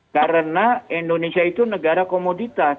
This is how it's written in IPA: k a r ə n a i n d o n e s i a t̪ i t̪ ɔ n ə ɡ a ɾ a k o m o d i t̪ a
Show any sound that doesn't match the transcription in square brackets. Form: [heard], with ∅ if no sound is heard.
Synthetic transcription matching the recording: k a [ɾ] ə n a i n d o n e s i a [∅] i t̪ [u] n ə ɡ a ɾ a k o m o d i t̪ a